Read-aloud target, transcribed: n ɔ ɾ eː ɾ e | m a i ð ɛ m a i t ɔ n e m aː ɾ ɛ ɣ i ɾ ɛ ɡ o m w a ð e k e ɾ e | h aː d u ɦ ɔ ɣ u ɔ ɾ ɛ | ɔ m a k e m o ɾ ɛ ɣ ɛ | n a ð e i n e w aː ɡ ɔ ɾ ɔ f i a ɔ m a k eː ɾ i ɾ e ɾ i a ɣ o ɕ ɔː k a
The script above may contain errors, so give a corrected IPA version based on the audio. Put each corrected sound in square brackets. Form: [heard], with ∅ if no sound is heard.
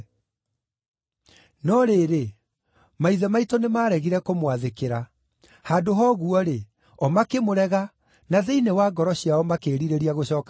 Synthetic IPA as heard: n ɔ ɾ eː ɾ e | m a i ð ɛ m a i t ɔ n e m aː ɾ ɛ ɣ i ɾ ɛ [k] o m w a ð e k e ɾ [a] | h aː d [o] ɦ ɔ ɣ u ɔ ɾ [e] | ɔ m a k e m o ɾ ɛ ɣ [a] | n a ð e i n e w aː ɡ ɔ ɾ ɔ [ɕ] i a ɔ m a k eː ɾ i ɾ e ɾ i a ɣ o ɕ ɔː k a

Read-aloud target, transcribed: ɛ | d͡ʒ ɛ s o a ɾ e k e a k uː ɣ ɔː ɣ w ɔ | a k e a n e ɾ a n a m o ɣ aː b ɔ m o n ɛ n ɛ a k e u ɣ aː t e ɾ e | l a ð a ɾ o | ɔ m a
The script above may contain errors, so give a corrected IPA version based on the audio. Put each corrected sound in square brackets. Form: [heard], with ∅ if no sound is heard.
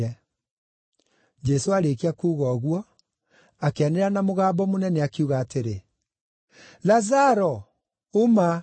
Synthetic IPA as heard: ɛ | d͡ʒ ɛ s o a ɾ e k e a k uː ɣ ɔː ɣ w ɔ | a k e a n e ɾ a n a m o ɣ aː b ɔ m o n ɛ n ɛ a k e u ɣ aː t e ɾ e | l a [z] a ɾ [ɔ] | [o] m a

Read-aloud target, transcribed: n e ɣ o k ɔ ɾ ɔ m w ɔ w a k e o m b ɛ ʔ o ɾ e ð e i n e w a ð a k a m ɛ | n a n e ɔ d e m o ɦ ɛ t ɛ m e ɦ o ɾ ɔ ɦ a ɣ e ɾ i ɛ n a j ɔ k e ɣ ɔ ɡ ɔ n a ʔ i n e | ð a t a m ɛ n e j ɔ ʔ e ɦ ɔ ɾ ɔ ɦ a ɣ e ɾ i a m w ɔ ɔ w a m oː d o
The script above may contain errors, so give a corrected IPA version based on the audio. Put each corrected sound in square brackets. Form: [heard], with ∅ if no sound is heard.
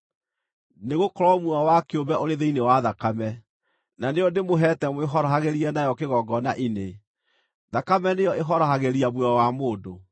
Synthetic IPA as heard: n e ɣ o k ɔ ɾ ɔ m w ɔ w a k e o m b ɛ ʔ o ɾ e ð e i n e w a ð a k a m ɛ | n a n e ɔ d e m o ɦ ɛ t ɛ m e ɦ [ɔ] ɾ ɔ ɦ a ɣ e ɾ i ɛ n a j ɔ k e ɣ ɔ ɡ ɔ n a ʔ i n e | ð a [k] a m ɛ n e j ɔ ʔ e ɦ ɔ ɾ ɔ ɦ a ɣ e ɾ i a m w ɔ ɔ w a m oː d o

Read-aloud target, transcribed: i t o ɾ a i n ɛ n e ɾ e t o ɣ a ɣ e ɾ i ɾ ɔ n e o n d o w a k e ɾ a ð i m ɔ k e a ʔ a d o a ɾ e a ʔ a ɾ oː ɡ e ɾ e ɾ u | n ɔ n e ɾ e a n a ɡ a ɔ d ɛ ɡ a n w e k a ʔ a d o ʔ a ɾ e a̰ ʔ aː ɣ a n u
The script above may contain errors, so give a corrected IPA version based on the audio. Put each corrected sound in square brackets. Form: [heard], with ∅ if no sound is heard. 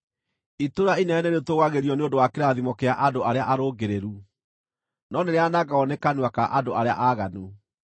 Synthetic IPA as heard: i t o ɾ a i n ɛ n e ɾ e t o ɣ a ɣ e ɾ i [∅] ɔ n e o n d o w a k e ɾ a ð i m ɔ k e a ʔ a d o a ɾ e a ʔ a ɾ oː ɡ e ɾ e ɾ u | n ɔ n e ɾ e a n a ɡ a ɔ [n] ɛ [k] a n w [a] k a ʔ a d o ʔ a ɾ e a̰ ʔ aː ɣ a n u

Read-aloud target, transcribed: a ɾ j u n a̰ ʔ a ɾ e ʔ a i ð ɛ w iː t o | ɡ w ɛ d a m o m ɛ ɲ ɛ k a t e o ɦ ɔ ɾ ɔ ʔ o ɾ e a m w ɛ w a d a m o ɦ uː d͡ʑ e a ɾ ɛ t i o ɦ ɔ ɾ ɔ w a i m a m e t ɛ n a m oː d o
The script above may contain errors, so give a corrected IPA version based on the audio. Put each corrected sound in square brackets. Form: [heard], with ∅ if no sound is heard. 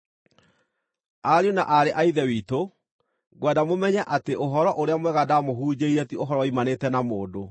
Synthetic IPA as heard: a ɾ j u n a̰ ʔ a ɾ e ʔ a i ð ɛ w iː t o | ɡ w ɛ d a m o m ɛ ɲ ɛ [ʔ] a t e o ɦ ɔ ɾ ɔ ʔ o ɾ e a m w ɛ [ɣ] a d a m o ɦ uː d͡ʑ e [i] ɾ ɛ t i o ɦ ɔ ɾ ɔ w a i m a [n] e t ɛ n a m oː d o

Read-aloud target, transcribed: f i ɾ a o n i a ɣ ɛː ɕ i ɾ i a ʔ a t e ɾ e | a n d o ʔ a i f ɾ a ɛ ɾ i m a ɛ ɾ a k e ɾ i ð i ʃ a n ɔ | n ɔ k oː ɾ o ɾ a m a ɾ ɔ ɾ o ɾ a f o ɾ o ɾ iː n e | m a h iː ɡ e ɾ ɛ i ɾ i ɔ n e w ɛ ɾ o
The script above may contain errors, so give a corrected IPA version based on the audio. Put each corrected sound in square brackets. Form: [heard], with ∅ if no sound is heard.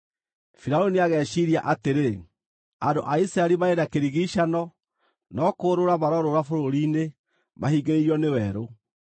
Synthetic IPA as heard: f i ɾ a o n i a ɣ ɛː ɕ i ɾ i a ʔ a t e ɾ e | a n d o ʔ a i [s] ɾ a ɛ ɾ i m a [e] ɾ a k e ɾ i [ɣ] i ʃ a n ɔ | n ɔ k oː ɾ o ɾ a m a ɾ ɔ ɾ o ɾ a f o ɾ o ɾ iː n e | m a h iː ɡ e ɾ [e] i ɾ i ɔ n e w ɛ ɾ o

